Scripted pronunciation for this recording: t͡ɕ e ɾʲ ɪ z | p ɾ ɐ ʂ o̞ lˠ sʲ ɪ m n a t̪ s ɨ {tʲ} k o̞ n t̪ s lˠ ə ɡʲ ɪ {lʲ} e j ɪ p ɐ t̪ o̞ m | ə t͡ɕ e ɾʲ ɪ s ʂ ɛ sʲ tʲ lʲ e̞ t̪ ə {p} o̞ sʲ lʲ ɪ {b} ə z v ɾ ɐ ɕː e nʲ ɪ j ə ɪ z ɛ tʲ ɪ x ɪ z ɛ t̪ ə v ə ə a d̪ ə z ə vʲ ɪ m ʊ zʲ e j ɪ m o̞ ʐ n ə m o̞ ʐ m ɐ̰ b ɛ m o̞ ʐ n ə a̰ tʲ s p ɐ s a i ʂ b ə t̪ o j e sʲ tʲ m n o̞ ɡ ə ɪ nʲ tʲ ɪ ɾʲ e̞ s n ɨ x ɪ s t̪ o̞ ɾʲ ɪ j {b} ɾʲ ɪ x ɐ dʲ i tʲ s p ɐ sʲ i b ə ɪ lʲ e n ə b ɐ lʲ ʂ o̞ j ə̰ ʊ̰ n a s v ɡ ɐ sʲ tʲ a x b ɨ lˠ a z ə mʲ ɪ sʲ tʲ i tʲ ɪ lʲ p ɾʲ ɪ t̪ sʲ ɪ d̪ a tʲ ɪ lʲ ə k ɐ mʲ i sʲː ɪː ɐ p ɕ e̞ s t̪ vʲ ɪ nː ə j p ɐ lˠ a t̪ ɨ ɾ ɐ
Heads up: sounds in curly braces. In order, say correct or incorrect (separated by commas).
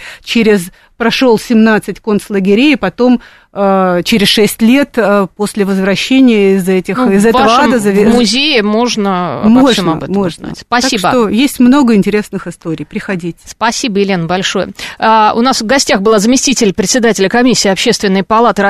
correct, incorrect, correct, incorrect, incorrect